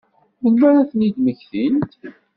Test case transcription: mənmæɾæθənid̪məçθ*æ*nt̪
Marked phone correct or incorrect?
incorrect